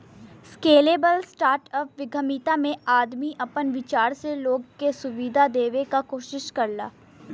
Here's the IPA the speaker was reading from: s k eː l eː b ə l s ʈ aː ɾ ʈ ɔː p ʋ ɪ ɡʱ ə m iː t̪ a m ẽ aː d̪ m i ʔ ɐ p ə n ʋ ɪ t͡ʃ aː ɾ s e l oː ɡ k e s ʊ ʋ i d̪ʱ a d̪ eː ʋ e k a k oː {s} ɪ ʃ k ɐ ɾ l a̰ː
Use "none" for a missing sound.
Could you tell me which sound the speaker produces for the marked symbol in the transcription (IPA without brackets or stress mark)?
ʃ